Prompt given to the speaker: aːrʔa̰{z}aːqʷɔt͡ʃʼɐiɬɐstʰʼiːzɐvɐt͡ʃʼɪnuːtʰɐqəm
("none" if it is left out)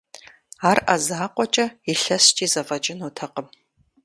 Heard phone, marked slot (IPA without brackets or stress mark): z